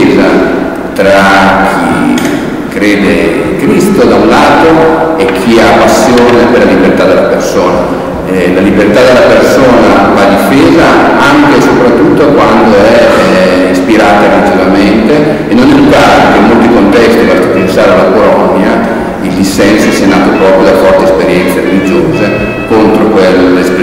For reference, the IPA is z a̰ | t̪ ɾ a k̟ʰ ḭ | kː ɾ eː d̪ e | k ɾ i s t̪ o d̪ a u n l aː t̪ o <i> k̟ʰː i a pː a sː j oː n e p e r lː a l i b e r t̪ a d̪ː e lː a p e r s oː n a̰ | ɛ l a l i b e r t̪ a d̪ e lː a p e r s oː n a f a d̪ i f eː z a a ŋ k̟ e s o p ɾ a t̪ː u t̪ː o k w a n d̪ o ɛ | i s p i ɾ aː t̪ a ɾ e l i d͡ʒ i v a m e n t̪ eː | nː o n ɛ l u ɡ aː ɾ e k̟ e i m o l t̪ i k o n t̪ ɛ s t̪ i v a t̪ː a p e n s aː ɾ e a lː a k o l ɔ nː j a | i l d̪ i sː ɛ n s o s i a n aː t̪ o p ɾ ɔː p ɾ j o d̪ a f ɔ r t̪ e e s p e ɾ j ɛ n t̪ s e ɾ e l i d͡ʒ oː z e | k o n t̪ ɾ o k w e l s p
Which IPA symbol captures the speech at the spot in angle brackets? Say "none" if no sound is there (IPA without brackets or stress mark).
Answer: e